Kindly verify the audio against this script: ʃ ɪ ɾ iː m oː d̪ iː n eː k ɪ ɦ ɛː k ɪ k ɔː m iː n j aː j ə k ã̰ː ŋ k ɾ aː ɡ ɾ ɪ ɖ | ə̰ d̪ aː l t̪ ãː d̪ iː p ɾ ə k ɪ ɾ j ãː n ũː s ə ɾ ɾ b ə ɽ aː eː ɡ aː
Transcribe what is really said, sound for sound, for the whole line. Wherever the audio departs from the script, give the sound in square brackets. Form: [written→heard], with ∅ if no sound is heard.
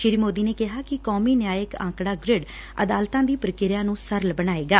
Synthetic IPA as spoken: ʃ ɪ ɾ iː m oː d̪ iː n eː k ɪ ɦ [ɛː→aː] k ɪ k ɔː m iː n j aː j ə k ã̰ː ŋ k [ɾ→ɽ] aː ɡ ɾ ɪ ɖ | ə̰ d̪ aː l t̪ ãː d̪ iː p ɾ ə k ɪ ɾ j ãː n ũː s ə ɾ [ɾ→l] b ə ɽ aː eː ɡ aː